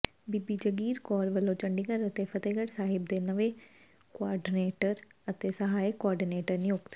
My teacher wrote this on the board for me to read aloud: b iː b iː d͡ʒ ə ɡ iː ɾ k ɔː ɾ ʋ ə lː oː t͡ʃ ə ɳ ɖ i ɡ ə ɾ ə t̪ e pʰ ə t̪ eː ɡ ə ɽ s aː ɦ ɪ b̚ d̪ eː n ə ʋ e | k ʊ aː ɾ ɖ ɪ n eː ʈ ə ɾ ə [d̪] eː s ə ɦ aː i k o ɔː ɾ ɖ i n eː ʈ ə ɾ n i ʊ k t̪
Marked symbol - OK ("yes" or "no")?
no